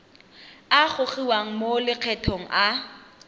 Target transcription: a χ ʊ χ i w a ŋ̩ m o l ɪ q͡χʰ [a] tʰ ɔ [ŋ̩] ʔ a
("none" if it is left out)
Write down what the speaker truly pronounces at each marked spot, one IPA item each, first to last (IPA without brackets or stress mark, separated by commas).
ɛ, ŋ̩